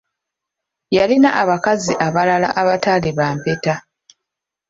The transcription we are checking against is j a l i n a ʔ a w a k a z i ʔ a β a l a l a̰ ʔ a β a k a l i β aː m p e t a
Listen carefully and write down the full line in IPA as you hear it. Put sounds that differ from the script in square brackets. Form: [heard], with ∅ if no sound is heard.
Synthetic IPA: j a l i n a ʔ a [β] a k a z i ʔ a β a l a l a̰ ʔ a β a [t] a l i β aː m p e t a